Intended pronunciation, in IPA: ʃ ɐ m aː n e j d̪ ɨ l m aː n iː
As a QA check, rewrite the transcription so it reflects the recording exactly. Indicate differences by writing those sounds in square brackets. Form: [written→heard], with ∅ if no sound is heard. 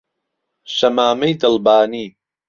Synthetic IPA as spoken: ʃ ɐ m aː [n→m] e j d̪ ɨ l [m→b] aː n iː